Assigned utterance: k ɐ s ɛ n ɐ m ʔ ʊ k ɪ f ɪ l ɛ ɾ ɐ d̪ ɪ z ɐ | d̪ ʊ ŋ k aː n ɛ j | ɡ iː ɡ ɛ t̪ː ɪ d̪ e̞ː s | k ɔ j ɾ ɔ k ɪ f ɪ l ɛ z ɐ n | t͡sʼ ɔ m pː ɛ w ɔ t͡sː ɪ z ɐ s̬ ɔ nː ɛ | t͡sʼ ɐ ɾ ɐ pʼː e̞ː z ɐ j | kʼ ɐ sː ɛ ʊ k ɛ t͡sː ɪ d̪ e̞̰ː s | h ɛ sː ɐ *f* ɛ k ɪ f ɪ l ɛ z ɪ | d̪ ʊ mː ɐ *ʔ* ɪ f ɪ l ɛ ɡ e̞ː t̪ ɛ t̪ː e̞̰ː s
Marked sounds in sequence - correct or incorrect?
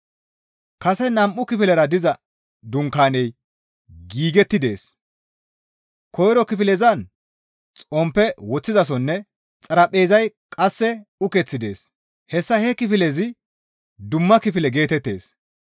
incorrect: h, incorrect: k

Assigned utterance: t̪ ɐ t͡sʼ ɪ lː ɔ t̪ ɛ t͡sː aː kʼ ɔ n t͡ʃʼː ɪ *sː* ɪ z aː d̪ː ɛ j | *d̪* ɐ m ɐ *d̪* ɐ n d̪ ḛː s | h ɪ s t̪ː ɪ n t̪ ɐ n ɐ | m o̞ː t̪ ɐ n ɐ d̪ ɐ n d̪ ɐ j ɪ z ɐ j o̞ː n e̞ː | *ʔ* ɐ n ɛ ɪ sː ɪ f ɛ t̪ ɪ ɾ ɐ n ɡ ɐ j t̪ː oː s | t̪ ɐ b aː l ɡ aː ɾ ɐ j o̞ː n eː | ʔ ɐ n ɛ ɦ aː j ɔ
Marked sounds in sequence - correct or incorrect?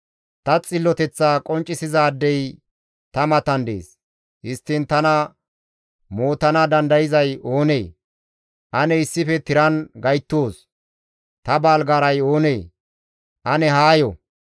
incorrect: s, incorrect: t̪, incorrect: t̪, correct

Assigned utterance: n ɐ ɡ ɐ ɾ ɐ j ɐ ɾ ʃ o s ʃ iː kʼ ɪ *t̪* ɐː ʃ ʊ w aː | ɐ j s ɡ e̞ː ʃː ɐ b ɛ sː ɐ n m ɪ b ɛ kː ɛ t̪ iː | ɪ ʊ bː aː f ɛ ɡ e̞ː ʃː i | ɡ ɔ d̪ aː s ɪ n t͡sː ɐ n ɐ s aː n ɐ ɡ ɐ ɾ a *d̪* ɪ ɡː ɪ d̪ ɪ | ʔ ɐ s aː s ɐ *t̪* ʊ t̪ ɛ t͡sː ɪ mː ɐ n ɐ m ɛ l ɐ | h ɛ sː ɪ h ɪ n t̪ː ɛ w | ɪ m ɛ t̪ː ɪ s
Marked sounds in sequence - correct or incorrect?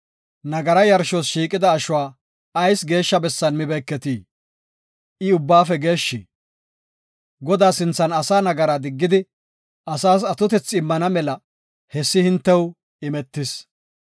incorrect: d̪, correct, correct

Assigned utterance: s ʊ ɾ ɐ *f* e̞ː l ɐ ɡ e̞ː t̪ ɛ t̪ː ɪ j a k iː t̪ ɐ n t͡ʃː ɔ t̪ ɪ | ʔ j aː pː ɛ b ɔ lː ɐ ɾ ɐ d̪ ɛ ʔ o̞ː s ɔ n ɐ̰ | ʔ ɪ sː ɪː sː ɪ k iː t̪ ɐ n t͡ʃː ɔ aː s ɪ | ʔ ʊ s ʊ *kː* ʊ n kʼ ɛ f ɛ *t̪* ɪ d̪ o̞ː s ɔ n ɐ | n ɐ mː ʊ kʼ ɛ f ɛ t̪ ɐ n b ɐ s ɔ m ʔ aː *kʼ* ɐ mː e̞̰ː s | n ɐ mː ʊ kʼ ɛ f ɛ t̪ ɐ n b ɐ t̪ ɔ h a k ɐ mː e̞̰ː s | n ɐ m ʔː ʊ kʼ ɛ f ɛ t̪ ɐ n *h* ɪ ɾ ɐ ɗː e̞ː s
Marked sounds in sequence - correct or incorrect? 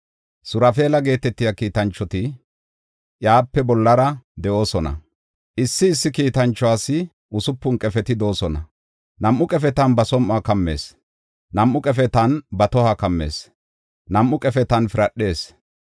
correct, incorrect: pː, correct, incorrect: k, incorrect: f

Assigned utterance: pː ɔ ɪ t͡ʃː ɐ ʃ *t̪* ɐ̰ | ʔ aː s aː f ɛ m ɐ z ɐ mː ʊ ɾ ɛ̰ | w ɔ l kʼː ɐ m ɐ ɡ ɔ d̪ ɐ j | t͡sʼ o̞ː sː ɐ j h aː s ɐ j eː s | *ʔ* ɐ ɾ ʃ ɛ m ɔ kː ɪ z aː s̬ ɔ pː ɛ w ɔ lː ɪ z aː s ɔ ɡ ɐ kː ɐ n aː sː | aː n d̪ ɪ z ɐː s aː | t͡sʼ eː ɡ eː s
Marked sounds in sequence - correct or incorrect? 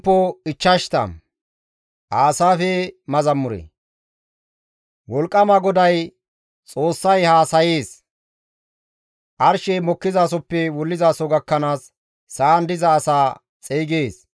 correct, correct

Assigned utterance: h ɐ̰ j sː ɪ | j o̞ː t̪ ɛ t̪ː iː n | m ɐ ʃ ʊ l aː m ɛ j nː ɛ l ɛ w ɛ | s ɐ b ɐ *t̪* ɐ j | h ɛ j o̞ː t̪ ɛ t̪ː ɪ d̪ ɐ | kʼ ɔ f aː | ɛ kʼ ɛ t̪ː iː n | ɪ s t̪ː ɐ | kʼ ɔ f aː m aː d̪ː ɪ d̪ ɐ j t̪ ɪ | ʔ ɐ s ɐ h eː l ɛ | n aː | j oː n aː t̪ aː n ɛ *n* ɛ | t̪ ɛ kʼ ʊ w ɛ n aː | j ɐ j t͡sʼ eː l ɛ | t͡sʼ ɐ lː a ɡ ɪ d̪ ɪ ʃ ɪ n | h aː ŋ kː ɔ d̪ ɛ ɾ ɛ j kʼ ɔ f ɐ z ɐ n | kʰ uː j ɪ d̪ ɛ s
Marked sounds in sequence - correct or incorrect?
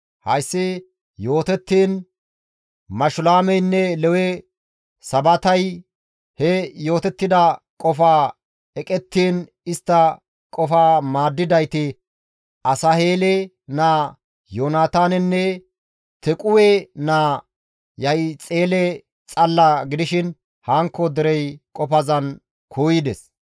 correct, incorrect: nː

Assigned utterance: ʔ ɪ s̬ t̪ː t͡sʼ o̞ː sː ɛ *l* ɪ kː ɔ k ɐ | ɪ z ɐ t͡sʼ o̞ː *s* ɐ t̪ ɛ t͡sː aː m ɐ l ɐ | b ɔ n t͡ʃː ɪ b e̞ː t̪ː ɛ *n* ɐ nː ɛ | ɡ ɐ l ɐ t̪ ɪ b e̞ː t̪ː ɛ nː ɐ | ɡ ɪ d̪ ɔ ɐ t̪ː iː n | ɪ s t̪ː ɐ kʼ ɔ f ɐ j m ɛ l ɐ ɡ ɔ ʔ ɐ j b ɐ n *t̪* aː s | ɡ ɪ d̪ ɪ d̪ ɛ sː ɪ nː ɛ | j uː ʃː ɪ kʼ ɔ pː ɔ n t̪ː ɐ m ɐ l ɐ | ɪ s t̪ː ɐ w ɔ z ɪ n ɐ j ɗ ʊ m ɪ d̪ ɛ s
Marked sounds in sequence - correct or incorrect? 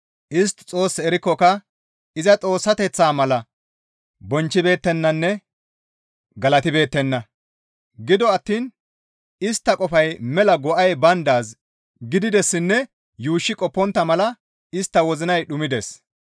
incorrect: ɾ, incorrect: sː, incorrect: nː, incorrect: d̪

